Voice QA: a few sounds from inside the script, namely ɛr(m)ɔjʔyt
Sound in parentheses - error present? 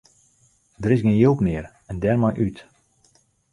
no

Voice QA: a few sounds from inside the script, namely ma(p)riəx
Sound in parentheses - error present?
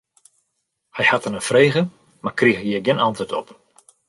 yes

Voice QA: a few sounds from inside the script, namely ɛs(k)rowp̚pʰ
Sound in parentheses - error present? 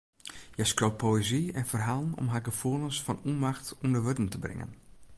no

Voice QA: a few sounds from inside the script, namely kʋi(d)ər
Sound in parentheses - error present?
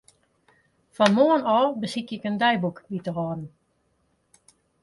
yes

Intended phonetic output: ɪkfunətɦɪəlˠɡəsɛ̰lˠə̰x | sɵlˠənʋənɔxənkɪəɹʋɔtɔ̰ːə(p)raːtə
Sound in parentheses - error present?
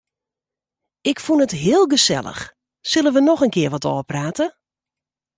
no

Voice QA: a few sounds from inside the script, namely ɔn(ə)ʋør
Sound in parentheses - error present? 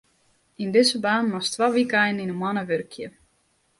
no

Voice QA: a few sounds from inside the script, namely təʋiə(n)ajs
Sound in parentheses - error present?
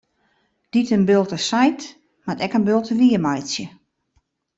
yes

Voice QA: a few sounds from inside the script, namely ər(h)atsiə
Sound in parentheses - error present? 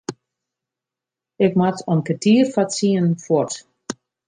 yes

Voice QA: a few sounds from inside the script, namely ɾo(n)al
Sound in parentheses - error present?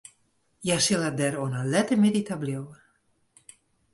no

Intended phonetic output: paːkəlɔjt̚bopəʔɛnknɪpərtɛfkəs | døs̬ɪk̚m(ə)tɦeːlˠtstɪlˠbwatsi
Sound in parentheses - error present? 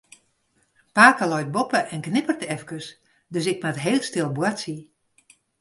yes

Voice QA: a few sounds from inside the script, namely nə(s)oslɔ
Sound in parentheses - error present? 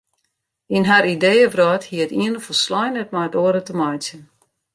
yes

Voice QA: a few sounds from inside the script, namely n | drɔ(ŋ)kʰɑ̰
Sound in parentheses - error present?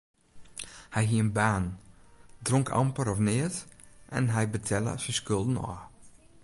no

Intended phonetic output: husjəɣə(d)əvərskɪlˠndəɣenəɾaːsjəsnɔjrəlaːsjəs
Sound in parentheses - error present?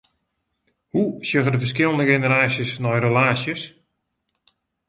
no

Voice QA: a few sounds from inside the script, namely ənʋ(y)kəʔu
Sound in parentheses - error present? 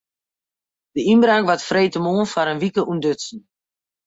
yes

